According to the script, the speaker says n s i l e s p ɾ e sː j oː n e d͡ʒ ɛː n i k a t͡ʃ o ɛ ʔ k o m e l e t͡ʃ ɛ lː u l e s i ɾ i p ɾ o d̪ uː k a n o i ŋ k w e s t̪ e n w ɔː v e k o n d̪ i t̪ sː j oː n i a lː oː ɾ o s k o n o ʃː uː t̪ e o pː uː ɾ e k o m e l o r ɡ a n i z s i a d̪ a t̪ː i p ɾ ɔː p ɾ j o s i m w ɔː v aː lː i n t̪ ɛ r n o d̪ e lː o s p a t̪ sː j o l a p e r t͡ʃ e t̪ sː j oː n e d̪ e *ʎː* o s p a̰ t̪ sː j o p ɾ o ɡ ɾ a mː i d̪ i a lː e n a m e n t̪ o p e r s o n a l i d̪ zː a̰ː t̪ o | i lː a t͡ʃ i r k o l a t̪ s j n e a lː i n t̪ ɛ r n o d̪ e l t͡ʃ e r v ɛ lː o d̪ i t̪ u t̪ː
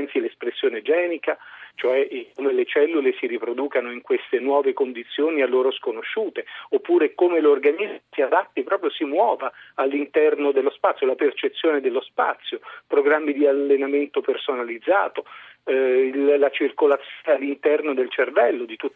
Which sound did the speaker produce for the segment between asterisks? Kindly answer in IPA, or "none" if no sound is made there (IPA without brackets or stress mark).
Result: lː